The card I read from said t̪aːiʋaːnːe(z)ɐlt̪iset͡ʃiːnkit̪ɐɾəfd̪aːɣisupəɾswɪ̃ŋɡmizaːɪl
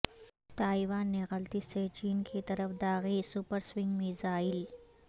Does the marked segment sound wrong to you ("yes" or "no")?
yes